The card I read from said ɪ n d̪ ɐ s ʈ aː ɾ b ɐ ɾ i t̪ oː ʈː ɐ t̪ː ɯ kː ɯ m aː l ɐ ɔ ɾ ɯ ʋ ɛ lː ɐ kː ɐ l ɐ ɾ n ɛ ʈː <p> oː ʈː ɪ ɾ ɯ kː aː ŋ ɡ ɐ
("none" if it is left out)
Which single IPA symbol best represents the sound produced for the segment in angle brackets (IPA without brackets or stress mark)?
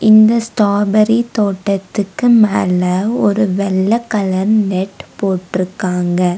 p